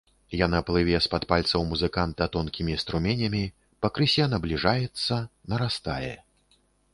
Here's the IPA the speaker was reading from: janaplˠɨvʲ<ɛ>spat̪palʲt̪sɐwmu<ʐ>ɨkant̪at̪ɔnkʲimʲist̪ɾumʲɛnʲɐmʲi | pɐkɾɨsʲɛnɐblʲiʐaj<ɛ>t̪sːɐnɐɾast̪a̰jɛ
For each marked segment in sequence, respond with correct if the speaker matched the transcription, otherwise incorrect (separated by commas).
correct, incorrect, correct